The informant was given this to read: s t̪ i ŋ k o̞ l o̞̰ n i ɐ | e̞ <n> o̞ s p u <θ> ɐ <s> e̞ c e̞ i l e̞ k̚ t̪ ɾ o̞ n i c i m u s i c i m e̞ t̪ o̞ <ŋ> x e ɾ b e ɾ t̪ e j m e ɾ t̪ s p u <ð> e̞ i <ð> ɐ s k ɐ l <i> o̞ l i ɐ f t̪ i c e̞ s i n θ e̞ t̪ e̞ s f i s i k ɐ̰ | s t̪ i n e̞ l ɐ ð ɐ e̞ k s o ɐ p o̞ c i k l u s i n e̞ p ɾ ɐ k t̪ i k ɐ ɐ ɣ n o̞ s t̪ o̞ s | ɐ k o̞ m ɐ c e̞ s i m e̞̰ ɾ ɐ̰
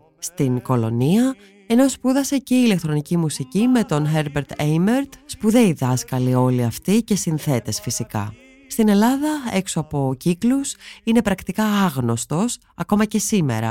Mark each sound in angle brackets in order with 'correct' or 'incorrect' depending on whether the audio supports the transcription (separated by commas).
correct, incorrect, correct, incorrect, correct, correct, correct